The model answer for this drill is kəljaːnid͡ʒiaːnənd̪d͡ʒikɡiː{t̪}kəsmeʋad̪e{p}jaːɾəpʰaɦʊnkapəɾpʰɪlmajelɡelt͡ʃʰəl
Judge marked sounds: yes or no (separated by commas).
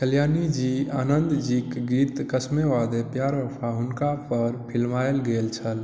yes, yes